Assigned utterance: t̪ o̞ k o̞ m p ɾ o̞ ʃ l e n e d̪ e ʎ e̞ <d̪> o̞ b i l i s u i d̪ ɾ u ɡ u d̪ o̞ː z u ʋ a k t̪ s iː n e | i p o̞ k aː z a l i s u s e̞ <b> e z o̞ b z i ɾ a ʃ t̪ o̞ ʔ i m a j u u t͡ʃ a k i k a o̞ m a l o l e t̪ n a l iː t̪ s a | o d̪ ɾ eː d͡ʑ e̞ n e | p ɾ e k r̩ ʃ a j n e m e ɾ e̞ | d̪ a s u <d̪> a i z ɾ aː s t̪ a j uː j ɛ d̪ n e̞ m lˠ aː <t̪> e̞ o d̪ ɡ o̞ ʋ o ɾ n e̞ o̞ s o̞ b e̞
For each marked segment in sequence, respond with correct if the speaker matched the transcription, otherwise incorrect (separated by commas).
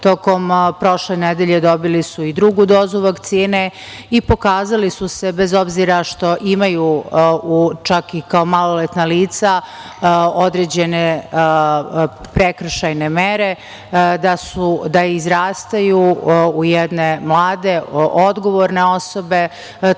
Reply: correct, correct, correct, incorrect